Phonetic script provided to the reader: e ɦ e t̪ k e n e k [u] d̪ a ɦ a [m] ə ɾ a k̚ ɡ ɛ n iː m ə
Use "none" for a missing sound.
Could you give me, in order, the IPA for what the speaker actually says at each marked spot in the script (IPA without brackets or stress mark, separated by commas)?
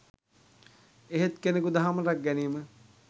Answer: u, m